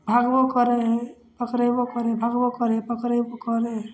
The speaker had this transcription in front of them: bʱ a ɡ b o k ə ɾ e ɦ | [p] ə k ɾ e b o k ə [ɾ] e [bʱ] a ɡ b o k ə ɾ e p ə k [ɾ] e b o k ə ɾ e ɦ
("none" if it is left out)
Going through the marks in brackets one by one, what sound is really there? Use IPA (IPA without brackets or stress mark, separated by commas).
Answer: p, ɾ, bʱ, ɾ